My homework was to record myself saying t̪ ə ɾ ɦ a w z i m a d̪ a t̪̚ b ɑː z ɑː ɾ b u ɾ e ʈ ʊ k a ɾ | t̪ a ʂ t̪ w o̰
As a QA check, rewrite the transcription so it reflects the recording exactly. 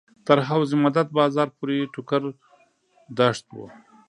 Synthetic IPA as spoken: t̪ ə ɾ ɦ a w z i m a d̪ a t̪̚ b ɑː z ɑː ɾ p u ɾ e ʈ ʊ k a ɾ | d̪ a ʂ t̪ w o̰

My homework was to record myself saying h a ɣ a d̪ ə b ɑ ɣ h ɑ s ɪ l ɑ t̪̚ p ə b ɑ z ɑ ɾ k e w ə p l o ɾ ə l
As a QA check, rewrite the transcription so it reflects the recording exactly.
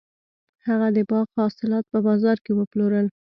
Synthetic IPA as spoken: h a ɣ a d̪ ə b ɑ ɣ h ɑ s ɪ l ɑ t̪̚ p ə b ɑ z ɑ ɾ k e w ə p l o ɾ ə l

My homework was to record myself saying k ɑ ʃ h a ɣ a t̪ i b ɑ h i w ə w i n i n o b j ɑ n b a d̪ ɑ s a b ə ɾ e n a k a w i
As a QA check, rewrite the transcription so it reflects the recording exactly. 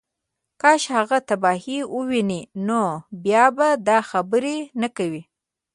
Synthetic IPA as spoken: k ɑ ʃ h a ɣ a t̪ a b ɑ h i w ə w i n i n o b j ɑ b a d̪ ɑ x a b ə ɾ e n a k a w i

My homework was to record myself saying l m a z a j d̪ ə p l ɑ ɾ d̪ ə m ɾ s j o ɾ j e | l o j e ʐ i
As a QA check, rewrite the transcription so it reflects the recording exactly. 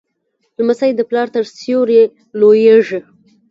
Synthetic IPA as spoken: l m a s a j d̪ ə p l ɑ ɾ t̪ ə ɾ s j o ɾ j e | l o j e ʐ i

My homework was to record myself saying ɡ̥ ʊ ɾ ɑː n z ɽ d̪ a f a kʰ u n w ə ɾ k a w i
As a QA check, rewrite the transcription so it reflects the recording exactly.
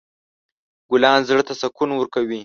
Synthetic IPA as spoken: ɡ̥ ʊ l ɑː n z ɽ t̪ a s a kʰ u n w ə ɾ k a w i

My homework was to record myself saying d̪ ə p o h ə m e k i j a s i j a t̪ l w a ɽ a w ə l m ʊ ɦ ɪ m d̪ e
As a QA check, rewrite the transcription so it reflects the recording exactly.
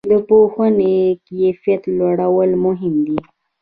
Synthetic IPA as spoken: d̪ ə p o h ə n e k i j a f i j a t̪ l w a ɽ a w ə l m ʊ ɦ ɪ m d̪ i

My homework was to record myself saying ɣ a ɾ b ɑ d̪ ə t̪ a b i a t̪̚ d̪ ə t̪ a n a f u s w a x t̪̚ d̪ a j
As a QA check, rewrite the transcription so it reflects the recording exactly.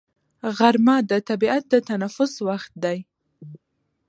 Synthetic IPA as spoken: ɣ a ɾ m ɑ d̪ ə t̪ a b i a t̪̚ d̪ ə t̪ a n a f ʊ s w a x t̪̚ d̪ a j

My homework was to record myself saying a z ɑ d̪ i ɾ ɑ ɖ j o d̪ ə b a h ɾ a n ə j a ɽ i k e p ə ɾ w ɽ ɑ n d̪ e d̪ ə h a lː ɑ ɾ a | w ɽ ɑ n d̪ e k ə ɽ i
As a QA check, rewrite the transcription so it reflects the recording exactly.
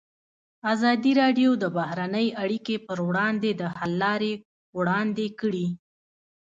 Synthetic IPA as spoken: a z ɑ d̪ i ɾ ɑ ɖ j o d̪ ə b a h ɾ a n ə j a ɽ i k e p ə ɾ w ɽ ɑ n d̪ e d̪ ə h a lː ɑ ɾ e | w ɽ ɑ n d̪ e k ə ɽ i

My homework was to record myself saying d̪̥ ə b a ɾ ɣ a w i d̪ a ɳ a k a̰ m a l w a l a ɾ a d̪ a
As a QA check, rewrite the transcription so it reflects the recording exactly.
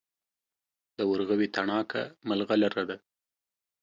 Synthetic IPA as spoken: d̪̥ ə w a ɾ ɣ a w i t̪ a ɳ ɑ k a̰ m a l ɣ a l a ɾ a d̪ a

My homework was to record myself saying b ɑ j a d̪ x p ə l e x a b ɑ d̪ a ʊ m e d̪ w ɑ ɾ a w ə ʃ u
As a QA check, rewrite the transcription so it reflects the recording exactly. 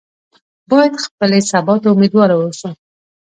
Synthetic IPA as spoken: b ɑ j a d̪ x p ə l e s a b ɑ t̪ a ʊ m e d̪ w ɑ ɾ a w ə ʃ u

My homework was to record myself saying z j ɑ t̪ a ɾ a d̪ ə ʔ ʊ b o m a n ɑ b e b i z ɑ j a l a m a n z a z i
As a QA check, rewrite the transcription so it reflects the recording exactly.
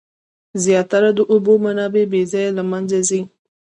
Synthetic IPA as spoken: z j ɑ t̪ a ɾ a d̪ ə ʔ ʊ b o m a n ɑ b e b e z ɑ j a l a m a n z a z i

